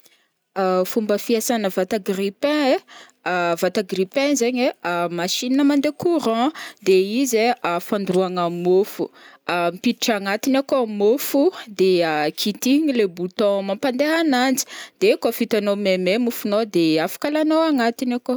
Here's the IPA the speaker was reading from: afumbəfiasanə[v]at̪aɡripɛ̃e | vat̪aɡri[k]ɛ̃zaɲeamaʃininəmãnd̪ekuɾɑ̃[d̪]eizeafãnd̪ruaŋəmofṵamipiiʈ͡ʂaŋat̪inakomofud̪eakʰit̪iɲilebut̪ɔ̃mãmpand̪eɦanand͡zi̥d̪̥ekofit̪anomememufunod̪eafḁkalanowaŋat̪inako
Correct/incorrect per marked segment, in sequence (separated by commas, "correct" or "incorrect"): correct, incorrect, correct